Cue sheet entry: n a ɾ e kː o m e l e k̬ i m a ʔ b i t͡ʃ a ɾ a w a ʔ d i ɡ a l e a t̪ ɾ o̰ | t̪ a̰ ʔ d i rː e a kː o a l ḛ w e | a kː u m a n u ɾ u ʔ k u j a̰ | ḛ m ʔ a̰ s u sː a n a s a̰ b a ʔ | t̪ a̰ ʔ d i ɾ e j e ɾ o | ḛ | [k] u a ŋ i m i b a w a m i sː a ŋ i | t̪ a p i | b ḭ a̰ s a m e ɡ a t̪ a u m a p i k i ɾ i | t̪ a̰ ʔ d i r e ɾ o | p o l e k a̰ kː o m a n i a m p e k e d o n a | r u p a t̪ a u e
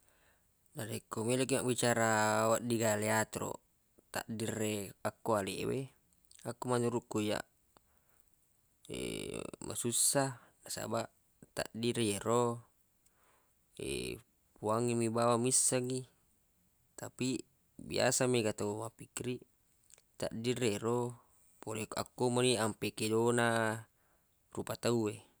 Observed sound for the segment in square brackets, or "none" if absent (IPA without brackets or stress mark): p